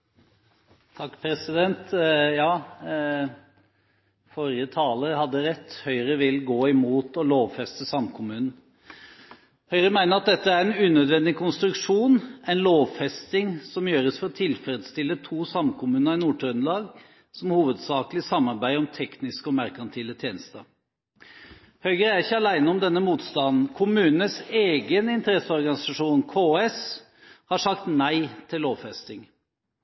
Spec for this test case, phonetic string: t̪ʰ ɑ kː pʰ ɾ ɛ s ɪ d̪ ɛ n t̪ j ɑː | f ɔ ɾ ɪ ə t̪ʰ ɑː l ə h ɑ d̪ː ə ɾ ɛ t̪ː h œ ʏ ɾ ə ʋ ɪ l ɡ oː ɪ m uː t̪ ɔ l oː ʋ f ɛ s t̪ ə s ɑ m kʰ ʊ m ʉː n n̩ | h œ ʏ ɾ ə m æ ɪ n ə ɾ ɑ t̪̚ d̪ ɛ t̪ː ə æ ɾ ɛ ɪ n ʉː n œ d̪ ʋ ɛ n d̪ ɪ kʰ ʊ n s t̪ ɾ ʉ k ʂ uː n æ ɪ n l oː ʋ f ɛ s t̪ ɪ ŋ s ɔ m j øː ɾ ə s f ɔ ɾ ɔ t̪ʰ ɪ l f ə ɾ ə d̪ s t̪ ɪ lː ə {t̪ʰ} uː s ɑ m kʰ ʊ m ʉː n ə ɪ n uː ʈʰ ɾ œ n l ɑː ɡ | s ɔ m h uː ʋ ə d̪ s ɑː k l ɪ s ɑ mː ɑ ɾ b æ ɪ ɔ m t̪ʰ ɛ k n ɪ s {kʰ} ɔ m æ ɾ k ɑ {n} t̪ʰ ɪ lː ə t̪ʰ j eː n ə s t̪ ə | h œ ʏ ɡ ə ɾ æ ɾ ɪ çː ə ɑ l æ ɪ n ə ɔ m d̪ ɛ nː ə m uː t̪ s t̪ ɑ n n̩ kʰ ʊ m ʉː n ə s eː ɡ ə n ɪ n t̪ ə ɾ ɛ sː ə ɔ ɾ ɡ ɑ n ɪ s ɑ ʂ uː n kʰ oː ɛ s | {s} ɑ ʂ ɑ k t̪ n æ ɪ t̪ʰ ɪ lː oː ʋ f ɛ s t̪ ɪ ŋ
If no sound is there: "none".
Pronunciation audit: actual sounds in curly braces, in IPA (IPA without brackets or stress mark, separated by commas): t̪ʰ, k, n, h